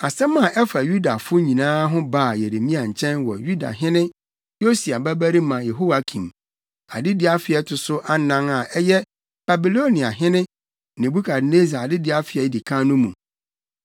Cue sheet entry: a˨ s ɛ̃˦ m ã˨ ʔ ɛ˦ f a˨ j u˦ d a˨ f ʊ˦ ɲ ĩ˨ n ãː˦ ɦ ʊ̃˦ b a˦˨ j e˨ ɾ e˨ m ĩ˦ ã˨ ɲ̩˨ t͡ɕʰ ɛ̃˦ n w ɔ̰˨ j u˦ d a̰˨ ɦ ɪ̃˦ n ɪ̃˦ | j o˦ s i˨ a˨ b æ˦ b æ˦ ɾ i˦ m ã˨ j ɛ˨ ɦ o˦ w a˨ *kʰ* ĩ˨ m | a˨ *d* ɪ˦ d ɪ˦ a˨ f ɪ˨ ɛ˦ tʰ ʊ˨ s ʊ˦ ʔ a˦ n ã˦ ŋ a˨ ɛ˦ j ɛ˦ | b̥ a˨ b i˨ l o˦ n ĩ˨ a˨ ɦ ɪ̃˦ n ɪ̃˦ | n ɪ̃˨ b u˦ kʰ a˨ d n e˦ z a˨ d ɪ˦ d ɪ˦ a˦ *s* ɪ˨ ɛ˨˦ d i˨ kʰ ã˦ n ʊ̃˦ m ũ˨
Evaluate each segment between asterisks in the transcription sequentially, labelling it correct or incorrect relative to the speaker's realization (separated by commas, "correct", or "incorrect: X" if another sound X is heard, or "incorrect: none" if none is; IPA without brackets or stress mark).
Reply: correct, correct, incorrect: f